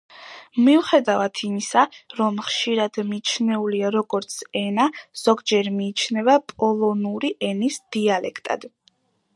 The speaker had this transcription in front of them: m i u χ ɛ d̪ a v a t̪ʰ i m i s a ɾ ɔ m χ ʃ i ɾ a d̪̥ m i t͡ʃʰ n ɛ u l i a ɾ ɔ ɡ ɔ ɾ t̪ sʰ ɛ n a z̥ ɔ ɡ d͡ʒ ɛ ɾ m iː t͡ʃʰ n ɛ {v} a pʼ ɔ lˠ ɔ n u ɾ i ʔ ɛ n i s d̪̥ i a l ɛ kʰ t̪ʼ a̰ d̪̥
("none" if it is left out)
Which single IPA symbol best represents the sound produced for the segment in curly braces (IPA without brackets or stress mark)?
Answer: v